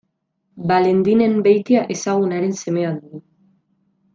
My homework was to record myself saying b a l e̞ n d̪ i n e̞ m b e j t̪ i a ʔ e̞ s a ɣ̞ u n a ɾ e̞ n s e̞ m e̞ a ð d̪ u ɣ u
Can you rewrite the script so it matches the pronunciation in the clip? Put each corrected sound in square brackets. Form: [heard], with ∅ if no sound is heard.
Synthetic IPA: b a l e̞ n d̪ i n e̞ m b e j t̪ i a ʔ e̞ s a ɣ̞ u n a ɾ e̞ n s e̞ m e̞ a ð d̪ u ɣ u